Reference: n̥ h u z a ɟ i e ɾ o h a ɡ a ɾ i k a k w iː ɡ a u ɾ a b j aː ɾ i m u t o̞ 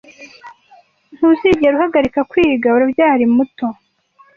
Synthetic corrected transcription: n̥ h u z i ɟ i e ɾ u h a ɡ a ɾ i k a k w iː ɡ a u ɾ a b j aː ɾ i m u t o̞